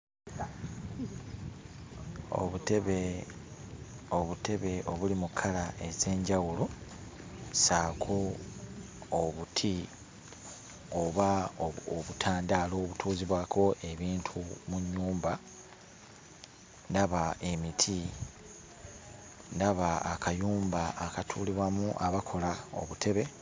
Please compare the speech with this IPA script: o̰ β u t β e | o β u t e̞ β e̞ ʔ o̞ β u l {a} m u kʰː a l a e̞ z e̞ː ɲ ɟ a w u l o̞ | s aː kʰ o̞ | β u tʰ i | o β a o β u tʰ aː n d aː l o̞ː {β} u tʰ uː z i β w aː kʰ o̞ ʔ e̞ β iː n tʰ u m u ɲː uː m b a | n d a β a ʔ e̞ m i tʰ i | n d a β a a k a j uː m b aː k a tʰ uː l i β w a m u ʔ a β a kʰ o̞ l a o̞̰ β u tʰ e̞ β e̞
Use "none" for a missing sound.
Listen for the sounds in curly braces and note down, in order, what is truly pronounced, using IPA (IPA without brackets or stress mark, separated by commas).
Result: i, β